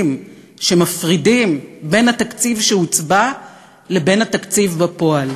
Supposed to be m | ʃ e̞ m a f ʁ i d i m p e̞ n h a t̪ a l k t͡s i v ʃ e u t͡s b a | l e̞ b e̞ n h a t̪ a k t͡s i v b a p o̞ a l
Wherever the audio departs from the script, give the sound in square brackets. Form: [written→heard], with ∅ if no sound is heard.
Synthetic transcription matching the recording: m | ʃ e̞ m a f ʁ i d i m [p→b] e̞ n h a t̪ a [l→∅] k t͡s i v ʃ e u t͡s b a | l e̞ b e̞ n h a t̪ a k t͡s i v b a p o̞ a l

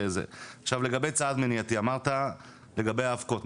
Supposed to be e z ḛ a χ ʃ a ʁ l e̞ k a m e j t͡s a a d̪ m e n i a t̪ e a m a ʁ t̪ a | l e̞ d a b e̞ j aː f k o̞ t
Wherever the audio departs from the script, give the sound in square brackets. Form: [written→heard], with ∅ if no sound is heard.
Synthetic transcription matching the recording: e z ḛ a χ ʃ a [ʁ→v] l e̞ [k→ɡ] a [m→b] e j t͡s a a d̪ m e n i a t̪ [e→i] a m a ʁ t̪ a | l e̞ [d→ɡ] a b e̞ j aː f k o̞ t

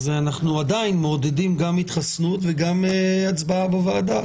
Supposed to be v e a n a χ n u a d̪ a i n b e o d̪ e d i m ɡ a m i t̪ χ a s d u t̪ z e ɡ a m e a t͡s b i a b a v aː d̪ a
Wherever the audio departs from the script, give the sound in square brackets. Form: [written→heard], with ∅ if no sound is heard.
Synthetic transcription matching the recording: [v→z] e a n a χ n u a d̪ a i n [b→m] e o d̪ e d i m ɡ a m i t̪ χ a s [d→n] u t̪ [z→v] e ɡ a m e a t͡s b [i→a] a b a v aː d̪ a

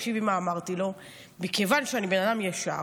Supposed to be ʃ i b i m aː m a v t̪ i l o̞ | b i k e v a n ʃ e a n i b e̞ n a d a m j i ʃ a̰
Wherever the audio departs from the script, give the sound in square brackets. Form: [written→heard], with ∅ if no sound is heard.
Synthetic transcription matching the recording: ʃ i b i m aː m a [v→ʁ] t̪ i l o̞ | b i k e v a n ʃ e a n i b e̞ n a d a m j [i→a] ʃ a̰

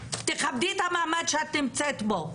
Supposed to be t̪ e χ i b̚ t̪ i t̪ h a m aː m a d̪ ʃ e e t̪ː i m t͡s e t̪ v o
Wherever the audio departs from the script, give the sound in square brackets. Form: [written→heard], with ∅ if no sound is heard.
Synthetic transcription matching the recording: t̪ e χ [i→a] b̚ [t̪→d̪] i t̪ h a m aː m a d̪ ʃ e [e→a] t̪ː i m t͡s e t̪ [v→b] o

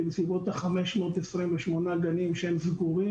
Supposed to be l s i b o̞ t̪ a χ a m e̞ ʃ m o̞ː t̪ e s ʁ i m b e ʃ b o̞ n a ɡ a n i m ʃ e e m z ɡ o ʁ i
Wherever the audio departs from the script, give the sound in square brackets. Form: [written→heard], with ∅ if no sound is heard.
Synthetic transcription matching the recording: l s i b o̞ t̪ a χ a m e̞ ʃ m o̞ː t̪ e s ʁ i m [b→v] e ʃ [b→m] o̞ n a ɡ a n i m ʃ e e m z ɡ [o→u] ʁ i

